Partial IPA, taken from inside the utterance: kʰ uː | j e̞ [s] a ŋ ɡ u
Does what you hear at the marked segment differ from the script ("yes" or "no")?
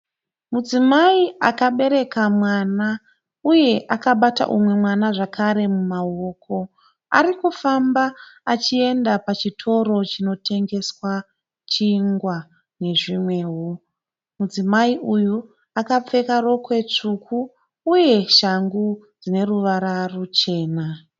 yes